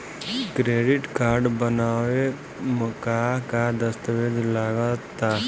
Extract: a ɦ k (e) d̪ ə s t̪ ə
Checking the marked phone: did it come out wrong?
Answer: yes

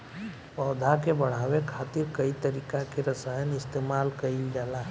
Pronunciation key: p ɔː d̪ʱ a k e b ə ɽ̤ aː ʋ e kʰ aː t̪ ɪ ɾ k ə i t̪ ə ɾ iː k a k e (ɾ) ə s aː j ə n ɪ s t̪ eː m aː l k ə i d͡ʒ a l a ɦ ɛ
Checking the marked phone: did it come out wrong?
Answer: no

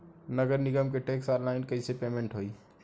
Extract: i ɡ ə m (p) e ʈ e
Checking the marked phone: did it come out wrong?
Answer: yes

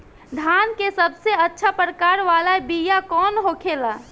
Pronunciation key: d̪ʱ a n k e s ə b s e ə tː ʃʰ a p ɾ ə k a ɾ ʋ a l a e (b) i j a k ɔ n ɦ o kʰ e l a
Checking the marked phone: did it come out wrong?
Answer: no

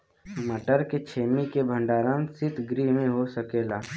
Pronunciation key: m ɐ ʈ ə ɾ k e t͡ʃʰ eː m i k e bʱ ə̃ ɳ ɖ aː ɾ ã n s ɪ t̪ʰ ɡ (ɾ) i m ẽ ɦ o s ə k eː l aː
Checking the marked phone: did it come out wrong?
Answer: no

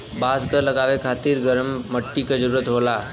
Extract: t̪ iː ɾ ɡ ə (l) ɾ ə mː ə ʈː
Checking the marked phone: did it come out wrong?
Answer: yes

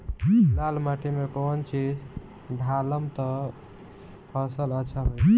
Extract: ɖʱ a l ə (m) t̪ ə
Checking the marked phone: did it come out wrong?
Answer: no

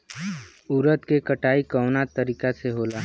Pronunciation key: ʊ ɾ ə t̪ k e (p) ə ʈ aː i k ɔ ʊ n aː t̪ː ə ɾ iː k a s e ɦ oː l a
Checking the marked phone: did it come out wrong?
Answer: yes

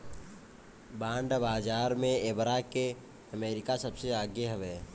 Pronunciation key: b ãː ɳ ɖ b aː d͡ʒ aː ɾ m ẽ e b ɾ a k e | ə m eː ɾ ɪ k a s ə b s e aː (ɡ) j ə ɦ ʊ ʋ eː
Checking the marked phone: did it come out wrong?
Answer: no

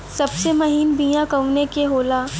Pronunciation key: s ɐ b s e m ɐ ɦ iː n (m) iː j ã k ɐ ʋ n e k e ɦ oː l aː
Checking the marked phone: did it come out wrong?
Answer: yes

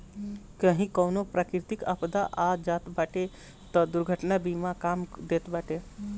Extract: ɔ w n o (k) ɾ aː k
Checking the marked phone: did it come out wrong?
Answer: yes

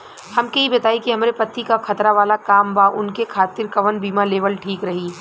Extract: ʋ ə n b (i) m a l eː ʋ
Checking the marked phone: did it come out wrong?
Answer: yes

